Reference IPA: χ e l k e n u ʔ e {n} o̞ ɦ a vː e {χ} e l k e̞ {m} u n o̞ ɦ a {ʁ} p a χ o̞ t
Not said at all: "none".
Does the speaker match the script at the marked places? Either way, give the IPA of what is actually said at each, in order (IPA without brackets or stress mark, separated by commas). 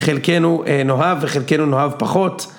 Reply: n, χ, n, v